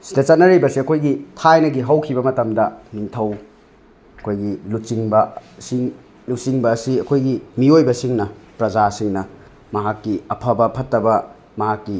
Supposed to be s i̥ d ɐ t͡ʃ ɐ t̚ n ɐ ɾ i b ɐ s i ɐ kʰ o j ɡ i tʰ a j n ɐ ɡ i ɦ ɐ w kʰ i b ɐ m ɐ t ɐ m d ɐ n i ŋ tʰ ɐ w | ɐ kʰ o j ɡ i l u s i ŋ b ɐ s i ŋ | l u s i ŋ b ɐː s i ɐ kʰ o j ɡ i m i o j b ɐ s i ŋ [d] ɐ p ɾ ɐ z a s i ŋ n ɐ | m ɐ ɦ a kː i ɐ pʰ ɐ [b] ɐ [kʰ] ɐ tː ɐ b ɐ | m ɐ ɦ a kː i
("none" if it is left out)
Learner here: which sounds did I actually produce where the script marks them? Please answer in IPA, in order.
n, b, pʰ

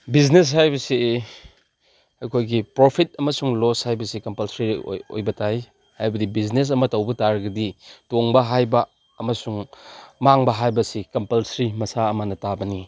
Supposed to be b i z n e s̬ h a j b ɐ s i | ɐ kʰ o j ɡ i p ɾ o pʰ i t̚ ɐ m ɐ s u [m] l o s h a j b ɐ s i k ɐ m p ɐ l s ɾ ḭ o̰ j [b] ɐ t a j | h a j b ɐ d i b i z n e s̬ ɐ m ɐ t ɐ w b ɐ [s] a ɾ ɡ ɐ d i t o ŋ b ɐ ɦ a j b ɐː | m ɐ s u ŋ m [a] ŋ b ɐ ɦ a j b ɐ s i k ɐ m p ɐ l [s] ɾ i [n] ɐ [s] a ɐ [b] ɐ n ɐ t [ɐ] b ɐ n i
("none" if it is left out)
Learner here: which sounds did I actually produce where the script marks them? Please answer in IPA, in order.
ŋ, b, t, a, s, m, s, m, a

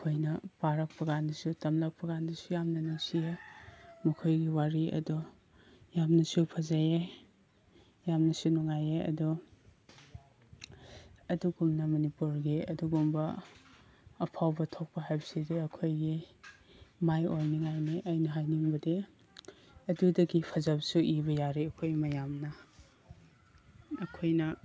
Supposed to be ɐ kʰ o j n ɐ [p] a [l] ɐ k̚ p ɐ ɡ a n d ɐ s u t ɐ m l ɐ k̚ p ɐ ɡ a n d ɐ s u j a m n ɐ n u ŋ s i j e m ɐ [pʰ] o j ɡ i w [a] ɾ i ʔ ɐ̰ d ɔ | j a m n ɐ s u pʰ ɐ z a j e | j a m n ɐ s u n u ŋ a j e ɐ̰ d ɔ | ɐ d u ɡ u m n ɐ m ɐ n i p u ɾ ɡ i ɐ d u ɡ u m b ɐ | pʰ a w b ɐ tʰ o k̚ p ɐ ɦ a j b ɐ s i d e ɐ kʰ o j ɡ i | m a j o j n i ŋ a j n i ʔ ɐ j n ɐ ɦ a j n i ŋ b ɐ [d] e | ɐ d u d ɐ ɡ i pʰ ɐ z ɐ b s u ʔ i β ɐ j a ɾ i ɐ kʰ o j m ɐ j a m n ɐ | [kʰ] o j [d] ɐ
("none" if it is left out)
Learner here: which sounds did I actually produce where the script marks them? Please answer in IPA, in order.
p, ɾ, kʰ, a, d, kʰ, n

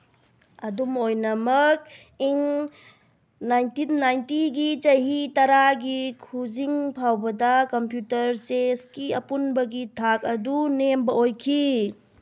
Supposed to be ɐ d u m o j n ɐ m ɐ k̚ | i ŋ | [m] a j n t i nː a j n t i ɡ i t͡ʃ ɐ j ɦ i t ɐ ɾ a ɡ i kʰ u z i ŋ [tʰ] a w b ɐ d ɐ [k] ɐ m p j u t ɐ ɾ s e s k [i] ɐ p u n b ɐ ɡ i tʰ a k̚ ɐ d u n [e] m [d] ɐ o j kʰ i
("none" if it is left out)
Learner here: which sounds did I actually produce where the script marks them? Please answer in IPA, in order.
n, pʰ, k, i, e, b

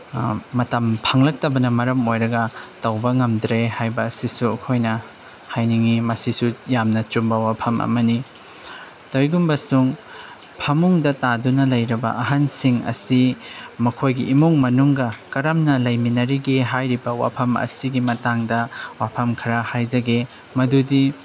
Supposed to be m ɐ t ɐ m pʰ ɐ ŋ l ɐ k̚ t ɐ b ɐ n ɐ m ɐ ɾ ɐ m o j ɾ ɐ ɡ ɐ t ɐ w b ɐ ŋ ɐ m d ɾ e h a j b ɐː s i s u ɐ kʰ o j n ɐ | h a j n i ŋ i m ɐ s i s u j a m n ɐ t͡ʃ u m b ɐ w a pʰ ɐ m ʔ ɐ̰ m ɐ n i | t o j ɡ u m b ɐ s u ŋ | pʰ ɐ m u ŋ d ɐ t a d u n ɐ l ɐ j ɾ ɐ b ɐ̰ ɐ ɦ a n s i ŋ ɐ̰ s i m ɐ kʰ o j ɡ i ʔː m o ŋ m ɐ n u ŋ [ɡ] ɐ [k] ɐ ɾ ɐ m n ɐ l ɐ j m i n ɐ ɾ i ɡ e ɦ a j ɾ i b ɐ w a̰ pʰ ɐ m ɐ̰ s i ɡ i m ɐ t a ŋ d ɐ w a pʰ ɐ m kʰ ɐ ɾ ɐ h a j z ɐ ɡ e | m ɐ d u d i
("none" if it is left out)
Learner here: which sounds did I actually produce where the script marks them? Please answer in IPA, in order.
ɡ, k

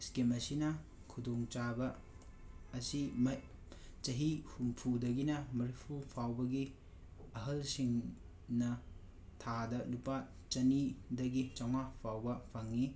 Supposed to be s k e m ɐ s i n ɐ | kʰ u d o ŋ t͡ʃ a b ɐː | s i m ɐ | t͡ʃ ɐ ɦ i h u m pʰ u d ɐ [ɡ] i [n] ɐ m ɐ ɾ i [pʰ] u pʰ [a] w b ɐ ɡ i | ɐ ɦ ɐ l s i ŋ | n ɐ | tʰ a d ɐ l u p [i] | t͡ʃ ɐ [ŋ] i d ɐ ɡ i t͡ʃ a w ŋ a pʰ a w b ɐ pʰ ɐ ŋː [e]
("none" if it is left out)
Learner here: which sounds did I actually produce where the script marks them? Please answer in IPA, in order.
ɡ, n, pʰ, a, a, n, i

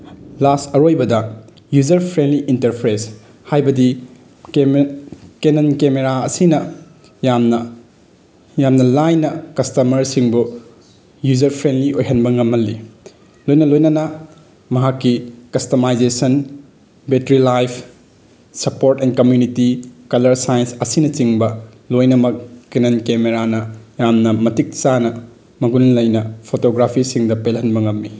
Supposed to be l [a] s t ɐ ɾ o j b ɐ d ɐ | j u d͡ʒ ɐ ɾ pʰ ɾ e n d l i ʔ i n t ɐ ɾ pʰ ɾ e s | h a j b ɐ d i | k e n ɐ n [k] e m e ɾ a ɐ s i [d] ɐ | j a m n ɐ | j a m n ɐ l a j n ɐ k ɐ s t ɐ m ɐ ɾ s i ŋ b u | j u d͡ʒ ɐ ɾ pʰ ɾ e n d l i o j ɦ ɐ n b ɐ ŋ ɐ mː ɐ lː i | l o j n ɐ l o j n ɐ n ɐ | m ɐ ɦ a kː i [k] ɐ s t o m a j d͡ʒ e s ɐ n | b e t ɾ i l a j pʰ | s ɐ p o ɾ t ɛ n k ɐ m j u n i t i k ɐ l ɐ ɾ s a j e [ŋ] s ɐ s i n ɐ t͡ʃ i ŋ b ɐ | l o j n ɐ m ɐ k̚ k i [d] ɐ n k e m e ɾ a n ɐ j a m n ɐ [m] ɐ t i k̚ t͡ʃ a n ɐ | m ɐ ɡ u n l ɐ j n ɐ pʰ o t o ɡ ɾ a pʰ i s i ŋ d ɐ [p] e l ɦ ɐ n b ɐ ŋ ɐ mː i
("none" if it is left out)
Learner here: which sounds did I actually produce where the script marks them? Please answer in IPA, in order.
a, k, n, k, n, n, m, p

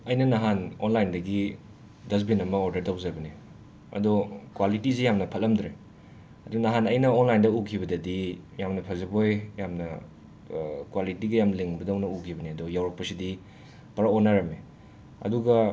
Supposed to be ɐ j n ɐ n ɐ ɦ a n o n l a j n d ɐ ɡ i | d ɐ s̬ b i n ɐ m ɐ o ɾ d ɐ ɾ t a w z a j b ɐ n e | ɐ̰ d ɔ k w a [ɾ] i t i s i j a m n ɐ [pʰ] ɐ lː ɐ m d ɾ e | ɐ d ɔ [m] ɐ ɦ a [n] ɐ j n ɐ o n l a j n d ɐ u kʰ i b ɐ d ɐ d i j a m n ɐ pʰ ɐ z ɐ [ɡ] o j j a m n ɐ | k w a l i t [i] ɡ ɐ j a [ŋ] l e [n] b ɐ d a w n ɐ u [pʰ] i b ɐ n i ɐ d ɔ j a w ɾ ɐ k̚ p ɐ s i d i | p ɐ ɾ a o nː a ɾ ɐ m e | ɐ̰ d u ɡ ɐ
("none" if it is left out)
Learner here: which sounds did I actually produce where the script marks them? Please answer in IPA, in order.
l, pʰ, n, n, b, i, m, ŋ, kʰ

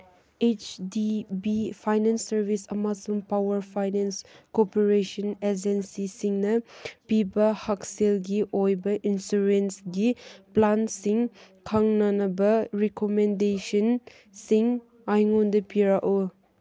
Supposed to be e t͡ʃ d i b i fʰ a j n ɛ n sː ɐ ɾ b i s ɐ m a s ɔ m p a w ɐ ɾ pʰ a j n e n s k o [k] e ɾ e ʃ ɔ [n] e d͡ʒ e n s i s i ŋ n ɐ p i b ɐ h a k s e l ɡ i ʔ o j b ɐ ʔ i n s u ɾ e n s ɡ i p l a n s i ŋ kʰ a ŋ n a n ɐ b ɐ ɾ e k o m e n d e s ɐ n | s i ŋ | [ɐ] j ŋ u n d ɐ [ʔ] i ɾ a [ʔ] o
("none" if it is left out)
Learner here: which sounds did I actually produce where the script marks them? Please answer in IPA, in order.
p, n, a, p, ʔ

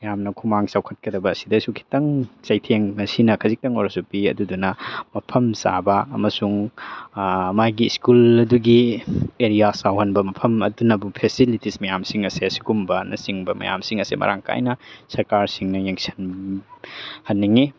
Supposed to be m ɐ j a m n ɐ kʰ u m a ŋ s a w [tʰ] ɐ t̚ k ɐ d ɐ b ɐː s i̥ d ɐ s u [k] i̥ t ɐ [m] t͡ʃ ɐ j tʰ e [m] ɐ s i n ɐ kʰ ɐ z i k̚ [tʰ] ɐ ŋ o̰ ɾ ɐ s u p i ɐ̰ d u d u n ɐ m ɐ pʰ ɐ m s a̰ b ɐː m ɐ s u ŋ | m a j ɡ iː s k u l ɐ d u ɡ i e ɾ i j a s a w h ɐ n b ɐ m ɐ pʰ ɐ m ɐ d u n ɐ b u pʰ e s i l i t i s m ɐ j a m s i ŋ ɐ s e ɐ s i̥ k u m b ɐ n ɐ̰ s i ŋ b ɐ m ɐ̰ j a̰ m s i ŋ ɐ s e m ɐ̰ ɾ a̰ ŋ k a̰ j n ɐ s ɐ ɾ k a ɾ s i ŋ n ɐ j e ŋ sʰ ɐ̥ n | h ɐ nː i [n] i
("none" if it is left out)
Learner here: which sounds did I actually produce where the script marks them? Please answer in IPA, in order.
kʰ, kʰ, ŋ, ŋ, t, ŋ

